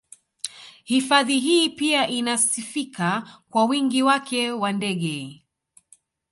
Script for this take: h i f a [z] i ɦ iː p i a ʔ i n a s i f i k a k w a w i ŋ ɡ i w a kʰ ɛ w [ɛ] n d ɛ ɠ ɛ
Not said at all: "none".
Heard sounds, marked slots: ð, a

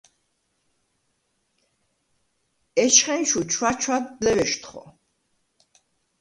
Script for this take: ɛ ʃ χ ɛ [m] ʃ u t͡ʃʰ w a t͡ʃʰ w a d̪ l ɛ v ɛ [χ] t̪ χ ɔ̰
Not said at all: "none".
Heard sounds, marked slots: n, ʃ

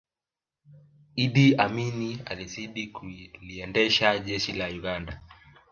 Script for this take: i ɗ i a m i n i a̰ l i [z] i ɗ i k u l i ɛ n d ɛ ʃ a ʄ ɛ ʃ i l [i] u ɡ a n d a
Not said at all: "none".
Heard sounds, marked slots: z, a

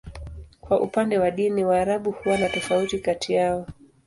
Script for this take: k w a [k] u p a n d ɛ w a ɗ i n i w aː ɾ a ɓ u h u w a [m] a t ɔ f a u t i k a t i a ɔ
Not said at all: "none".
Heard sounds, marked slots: ʔ, n

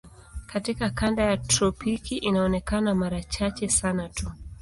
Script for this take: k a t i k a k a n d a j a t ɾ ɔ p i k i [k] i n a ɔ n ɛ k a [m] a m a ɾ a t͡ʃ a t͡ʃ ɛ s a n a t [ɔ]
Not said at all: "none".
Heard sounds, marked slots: ʔ, n, u

